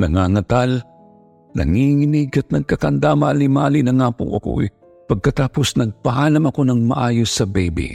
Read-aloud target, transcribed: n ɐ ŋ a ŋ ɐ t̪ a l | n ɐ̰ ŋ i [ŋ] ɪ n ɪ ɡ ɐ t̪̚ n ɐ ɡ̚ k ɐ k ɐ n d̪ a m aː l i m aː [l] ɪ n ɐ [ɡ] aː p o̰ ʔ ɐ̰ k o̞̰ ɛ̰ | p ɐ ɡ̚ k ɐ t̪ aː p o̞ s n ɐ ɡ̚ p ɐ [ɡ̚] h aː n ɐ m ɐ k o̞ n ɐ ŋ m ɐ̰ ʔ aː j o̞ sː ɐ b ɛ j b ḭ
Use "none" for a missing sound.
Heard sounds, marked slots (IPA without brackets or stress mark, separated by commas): ŋ, l, ŋ, none